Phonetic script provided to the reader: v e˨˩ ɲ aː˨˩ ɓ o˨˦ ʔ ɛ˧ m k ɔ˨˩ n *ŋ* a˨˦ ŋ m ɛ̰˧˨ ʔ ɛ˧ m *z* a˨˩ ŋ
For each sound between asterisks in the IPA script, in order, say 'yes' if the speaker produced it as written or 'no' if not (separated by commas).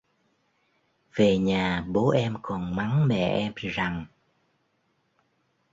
no, yes